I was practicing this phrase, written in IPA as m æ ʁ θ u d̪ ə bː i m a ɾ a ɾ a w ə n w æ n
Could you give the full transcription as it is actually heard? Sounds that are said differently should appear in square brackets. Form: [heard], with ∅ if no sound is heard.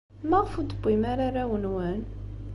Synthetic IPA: m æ ʁ [f] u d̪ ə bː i m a ɾ a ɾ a w ə n w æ n